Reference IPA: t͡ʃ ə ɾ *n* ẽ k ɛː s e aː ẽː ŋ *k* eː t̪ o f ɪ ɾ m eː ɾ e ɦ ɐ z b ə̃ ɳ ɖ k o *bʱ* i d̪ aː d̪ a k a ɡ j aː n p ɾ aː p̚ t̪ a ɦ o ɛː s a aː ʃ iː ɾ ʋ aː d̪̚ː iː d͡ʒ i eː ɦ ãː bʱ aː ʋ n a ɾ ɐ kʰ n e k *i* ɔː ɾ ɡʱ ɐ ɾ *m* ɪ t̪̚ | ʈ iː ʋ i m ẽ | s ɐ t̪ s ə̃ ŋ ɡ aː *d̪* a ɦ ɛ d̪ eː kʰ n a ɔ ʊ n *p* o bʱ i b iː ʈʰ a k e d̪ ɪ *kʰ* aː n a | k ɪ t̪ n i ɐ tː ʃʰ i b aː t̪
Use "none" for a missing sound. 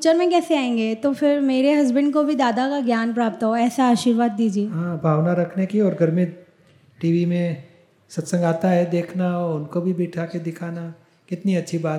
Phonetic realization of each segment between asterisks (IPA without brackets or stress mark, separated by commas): m, ɡ, bʱ, i, m, t̪, k, kʰ